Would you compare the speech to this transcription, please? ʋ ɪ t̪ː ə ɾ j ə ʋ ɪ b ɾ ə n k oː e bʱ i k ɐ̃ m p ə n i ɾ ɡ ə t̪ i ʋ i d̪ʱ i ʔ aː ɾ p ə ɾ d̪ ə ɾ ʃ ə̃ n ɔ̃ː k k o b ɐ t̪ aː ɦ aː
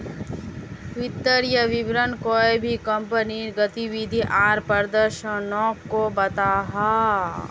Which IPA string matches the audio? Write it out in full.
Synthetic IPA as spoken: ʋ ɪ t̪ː ə ɾ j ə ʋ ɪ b ɾ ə n k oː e bʱ i k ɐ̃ m p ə n i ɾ ɡ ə t̪ i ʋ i d̪ʱ i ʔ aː ɾ p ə ɾ d̪ ə ɾ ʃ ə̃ n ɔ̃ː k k o b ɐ t̪ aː ɦ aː